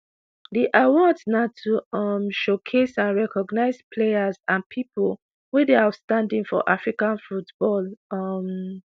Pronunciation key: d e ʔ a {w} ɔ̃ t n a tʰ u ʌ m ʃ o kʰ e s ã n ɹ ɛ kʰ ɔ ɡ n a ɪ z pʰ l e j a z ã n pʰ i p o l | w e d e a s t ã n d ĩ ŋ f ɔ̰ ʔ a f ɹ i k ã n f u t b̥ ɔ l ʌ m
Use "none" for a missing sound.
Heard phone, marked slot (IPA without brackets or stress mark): w